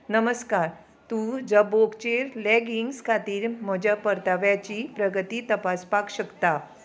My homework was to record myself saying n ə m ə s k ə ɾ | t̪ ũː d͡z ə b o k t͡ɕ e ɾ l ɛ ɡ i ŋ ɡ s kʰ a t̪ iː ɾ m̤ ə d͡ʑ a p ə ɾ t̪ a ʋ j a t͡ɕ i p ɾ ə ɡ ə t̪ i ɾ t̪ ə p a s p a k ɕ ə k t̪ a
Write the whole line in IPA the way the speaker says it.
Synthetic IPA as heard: n ə m ə s k a ɾ | t̪ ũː d͡z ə b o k t͡ɕ e ɾ l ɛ ɡ i ŋ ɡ s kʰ a t̪ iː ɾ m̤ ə d͡ʑ a p ə ɾ t̪ a ʋ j a t͡ɕ i p ɾ ə ɡ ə t̪ i t̪ ə p a s p a k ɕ ə k t̪ a

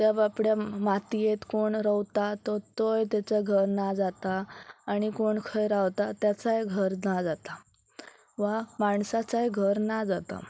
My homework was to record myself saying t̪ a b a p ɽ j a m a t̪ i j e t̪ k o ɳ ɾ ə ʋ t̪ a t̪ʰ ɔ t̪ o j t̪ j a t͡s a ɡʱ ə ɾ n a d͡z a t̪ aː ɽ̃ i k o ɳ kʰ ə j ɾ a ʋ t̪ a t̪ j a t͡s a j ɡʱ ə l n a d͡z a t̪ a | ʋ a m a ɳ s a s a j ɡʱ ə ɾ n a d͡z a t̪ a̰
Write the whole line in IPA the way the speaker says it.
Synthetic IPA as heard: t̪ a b a p ɽ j a m a t̪ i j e t̪ k o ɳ ɾ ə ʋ t̪ a t̪ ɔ t̪ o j t̪ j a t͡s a ɡʱ ə ɾ n a d͡z a t̪ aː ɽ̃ i k o ɳ kʰ ə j ɾ a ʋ t̪ a t̪ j a t͡s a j ɡʱ ə ɾ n a d͡z a t̪ a | ʋ a m a ɳ s a t͡s a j ɡʱ ə ɾ n a d͡z a t̪ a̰

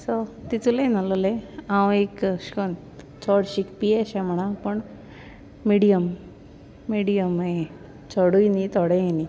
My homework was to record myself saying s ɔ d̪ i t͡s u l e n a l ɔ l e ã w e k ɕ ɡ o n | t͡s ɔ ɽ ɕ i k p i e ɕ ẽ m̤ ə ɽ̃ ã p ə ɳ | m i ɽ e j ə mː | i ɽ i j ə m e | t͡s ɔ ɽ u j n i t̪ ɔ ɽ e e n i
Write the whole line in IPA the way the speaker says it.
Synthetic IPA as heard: s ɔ t̪ i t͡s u l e n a l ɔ l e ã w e k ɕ k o n | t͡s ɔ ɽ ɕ i k p i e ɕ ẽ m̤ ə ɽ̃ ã p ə ɳ | m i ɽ i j ə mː | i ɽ i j ə m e | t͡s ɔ ɽ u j n i t̪ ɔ ɽ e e n i

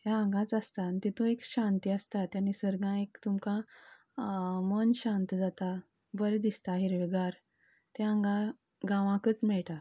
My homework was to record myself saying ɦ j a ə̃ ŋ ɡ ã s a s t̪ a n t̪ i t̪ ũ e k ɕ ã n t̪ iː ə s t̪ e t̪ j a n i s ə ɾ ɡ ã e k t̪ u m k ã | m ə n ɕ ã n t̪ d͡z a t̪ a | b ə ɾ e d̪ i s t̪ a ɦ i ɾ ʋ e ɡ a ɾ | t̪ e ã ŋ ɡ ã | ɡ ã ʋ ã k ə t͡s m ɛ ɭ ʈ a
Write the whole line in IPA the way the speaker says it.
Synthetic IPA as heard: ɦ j a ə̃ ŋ ɡ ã t͡s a s t̪ a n t̪ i t̪ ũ e k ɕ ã n t̪ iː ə s t̪ a t̪ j a n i s ə ɾ ɡ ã e k t̪ u m k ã | m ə n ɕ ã n t̪ d͡z a t̪ a | b ə ɾ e d̪ i s t̪ a ɦ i ɾ ʋ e ɡ a ɾ | t̪ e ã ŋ ɡ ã | ɡ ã ʋ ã k ə t͡s m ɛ ɭ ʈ a

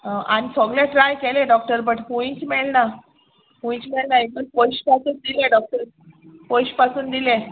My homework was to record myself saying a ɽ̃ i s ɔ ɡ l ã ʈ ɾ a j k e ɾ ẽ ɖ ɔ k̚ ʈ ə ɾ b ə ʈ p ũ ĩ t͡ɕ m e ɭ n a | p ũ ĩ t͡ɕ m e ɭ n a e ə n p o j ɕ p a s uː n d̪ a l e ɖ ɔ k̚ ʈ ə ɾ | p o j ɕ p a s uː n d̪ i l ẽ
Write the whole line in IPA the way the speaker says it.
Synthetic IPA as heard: a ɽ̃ i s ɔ ɡ l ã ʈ ɾ a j k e l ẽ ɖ ɔ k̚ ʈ ə ɾ b ə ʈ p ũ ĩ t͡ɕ m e ɭ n a | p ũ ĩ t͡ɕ m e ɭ n a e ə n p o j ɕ p a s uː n d̪ i l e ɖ ɔ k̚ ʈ ə ɾ | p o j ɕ p a s uː n d̪ i l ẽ

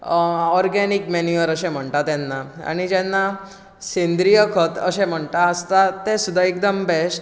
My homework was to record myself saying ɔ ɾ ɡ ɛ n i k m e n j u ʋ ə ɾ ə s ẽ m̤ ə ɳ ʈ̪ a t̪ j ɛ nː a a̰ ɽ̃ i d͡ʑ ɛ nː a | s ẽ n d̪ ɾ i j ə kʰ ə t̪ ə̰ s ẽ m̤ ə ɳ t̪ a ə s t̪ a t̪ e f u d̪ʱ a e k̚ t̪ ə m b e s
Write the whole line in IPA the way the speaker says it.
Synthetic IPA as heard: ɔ ɾ ɡ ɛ n i k m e n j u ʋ ə ɾ ə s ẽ m̤ ə ɳ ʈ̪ a t̪ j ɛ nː a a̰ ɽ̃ i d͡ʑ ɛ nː a | s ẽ n d̪ ɾ i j ə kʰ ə t̪ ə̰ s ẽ m̤ ə ɳ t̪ a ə s t̪ a t̪ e s u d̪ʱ a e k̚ d̪ ə m b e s

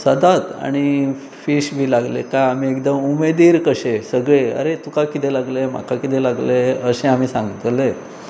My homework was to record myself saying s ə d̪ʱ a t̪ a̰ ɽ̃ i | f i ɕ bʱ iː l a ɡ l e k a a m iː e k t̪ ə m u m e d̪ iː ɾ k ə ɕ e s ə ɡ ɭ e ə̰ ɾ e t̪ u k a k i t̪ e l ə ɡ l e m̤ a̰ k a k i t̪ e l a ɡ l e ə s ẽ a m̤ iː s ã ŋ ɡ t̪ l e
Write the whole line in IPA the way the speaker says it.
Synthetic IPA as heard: s ə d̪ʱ a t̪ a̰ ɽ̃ i | f i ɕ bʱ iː l a ɡ l e k a a m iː e k d̪ ə m u m e d̪ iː ɾ k ə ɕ e s ə ɡ ɭ e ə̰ ɾ e t̪ u k a k i t̪ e l a ɡ l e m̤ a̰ k a k i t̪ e l a ɡ l e ə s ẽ a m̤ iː s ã ŋ ɡ t̪ l e

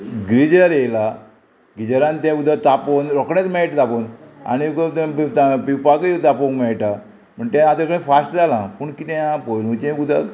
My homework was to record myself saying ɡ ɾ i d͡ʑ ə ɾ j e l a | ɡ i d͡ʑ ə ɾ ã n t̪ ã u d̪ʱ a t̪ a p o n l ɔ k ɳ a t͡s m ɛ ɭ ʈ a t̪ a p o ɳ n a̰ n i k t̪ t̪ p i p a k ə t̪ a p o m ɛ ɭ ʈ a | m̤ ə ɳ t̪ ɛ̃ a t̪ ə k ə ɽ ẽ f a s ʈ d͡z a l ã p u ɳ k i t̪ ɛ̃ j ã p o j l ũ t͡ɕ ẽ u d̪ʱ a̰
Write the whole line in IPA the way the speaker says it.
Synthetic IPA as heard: ɡ ɾ i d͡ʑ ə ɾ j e l a | ɡ i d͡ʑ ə ɾ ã n t̪ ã u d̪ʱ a t̪ a p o n ɾ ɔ k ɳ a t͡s m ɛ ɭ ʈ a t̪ a p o n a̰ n i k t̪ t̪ p i p a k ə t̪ a p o m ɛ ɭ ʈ a | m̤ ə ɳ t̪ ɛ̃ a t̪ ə k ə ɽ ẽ f a s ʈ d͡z a l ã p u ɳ k i t̪ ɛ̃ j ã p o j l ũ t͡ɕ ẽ u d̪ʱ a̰

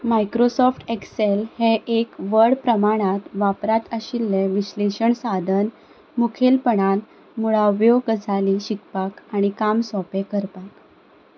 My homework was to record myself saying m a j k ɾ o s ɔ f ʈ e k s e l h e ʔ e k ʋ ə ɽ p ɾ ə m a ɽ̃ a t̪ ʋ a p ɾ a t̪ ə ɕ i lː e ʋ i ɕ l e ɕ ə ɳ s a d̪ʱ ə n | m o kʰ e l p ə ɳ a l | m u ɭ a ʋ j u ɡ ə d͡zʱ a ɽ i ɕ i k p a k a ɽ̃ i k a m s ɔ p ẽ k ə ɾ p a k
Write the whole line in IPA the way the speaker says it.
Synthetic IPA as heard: m a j k ɾ o s ɔ f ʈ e k s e l h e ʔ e k ʋ ə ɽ p ɾ ə m a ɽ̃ a t̪ ʋ a p ɾ a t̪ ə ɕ i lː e ʋ i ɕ l e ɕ ə ɳ s a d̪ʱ ə n | m u kʰ e l p ə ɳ a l | m u ɭ a ʋ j o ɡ ə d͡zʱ a l i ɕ i k p a k a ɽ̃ i k a m s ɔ p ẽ k ə ɾ p a k

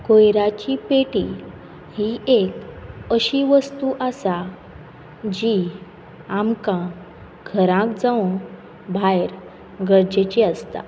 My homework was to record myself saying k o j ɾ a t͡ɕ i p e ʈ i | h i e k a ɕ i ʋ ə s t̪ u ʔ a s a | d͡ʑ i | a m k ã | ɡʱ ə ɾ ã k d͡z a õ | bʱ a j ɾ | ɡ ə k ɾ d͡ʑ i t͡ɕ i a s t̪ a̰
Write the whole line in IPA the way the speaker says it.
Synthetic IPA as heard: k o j ɾ a t͡ɕ i p e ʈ i | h i e k ə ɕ i ʋ ə s t̪ u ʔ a s a | d͡ʑ i | a m k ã | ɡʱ ə ɾ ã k d͡z a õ | bʱ a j ɾ | ɡ ə ɾ d͡ʑ e t͡ɕ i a s t̪ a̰

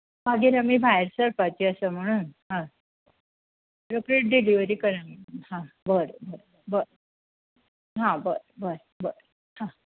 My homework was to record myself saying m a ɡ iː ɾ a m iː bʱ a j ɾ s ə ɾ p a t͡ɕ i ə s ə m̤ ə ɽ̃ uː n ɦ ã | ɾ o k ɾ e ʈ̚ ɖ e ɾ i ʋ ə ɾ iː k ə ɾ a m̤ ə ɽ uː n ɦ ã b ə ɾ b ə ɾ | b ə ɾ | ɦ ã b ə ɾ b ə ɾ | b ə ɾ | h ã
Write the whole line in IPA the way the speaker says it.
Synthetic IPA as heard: m a ɡ iː ɾ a m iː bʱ a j ɾ s ə ɾ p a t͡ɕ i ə s ə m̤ ə ɽ̃ uː n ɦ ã | ɾ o k ɾ e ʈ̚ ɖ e l i ʋ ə ɾ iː k ə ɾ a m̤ ə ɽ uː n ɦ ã b ə ɾ b ə ɾ | b ə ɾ | ɦ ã b ə ɾ b ə ɾ | b ə ɾ | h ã

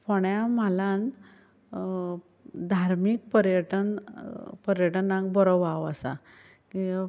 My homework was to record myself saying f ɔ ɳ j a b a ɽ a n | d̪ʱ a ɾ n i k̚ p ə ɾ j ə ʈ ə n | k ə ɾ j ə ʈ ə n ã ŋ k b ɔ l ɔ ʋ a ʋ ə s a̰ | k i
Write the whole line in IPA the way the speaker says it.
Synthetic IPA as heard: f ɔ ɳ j a m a l a n | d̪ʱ a ɾ m i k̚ p ə ɾ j ə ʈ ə n | p ə ɾ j ə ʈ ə n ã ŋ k b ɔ ɾ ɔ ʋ a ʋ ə s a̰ | k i

